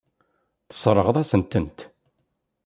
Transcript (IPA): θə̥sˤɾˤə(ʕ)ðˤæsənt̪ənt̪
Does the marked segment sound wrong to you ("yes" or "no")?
yes